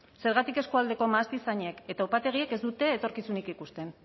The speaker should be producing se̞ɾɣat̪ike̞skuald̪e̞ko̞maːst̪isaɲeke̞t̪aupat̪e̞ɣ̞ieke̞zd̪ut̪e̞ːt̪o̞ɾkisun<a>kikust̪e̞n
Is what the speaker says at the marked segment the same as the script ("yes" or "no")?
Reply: no